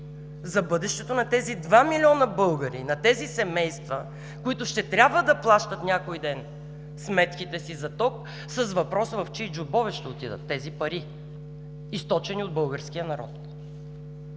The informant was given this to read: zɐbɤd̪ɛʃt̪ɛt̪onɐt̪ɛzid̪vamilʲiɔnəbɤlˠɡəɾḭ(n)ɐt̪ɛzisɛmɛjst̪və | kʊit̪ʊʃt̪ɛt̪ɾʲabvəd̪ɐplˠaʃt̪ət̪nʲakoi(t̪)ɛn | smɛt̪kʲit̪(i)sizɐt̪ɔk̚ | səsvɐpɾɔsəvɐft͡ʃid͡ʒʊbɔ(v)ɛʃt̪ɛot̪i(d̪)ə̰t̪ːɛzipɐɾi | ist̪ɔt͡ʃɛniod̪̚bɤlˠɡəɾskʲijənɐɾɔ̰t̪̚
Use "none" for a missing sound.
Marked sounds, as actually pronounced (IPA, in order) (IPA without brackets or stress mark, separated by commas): n, d̪, ɛ, v, d̪